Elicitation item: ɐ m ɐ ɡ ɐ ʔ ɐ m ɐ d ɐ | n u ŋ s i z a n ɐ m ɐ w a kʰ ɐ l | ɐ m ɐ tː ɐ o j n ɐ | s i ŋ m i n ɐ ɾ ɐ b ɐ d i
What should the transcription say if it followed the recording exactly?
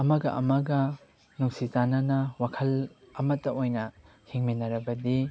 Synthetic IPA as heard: ɐ m ɐ ɡ ɐ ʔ ɐ m ɐ ɡ ɐ | n u ŋ s i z a n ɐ n ɐ w a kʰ ɐ l | ɐ m ɐ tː ɐ o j n ɐ | h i ŋ m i n ɐ ɾ ɐ b ɐ d i

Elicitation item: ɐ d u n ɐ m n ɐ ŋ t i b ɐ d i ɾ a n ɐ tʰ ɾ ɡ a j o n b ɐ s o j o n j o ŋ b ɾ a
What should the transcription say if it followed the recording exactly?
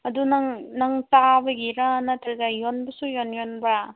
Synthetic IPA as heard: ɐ d u n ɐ ŋ n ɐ ŋ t a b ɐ ɡ i ɾ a n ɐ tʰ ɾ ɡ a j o n b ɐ s u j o n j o n b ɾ a

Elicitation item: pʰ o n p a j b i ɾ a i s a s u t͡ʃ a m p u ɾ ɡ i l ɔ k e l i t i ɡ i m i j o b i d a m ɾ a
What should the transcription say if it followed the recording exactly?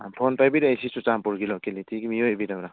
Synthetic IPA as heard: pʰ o n p a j b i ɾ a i s i s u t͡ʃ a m p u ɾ ɡ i l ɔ k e l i t i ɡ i m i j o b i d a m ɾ a

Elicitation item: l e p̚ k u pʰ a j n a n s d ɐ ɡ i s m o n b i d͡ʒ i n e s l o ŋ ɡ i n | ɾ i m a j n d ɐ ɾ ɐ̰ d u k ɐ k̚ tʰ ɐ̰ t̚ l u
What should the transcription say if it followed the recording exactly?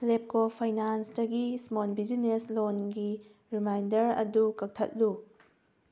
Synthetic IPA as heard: l e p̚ k o pʰ a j n a n s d ɐ ɡ i s m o n b i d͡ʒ i n e s l o n ɡ i | ɾ i m a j n d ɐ ɾ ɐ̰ d u k ɐ k̚ tʰ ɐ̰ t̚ l u

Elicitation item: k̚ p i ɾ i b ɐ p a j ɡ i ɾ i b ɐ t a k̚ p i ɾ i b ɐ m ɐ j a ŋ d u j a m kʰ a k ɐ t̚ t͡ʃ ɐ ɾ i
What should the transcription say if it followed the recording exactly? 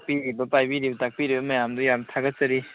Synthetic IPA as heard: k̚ p i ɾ i b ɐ p a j b i ɾ i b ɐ t a k̚ p i ɾ i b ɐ m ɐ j a m d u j a m tʰ a ɡ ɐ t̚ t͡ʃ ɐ ɾ i

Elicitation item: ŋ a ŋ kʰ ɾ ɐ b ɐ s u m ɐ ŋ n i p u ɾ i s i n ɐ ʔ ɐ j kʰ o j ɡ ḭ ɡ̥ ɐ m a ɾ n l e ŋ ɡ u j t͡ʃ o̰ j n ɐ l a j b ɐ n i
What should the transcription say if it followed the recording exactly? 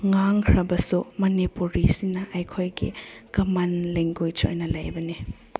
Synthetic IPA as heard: ŋ a ŋ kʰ ɾ ɐ b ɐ s u m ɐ n i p u ɾ i s i n ɐ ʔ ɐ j kʰ o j ɡ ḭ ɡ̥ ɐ m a n l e ŋ ɡ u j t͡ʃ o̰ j n ɐ l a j b ɐ n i

